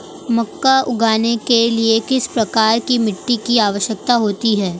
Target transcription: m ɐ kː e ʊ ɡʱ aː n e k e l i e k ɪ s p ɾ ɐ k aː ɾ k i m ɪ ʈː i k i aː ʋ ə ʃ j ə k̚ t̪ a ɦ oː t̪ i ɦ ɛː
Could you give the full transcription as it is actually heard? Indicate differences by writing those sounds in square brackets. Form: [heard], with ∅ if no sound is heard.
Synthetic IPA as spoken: m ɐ kː [a] ʊ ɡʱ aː n e k e l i e k ɪ s p ɾ ɐ k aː ɾ k i m ɪ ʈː i k i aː ʋ ə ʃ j ə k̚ t̪ a ɦ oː t̪ i ɦ ɛː